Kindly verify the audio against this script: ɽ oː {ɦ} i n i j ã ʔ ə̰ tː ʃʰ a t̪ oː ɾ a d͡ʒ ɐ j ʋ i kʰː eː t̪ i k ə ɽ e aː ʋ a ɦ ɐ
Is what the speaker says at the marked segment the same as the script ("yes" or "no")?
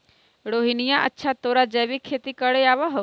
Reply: yes